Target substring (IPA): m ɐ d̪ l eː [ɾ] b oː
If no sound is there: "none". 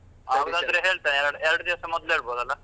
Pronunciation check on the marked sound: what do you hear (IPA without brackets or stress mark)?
ɭ